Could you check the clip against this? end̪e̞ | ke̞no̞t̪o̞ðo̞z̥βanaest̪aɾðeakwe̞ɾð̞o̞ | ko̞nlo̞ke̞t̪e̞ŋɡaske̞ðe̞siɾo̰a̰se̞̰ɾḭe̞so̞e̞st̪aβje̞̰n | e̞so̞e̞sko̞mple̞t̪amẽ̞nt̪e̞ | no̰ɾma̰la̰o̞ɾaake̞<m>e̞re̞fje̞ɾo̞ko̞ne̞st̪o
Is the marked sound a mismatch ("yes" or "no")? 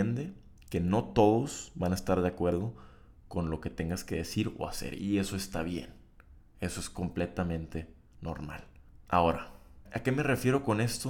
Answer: no